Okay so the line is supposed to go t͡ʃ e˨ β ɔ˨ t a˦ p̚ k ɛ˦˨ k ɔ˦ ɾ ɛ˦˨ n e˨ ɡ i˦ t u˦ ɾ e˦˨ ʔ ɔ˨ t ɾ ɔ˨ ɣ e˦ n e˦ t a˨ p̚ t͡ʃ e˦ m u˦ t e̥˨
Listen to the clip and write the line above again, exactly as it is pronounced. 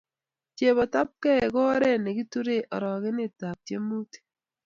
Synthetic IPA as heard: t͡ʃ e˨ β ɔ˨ t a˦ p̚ k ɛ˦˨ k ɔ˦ ɾ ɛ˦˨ n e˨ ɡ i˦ t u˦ ɾ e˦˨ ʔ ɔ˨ ɾ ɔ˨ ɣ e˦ n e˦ t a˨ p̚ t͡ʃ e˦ m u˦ t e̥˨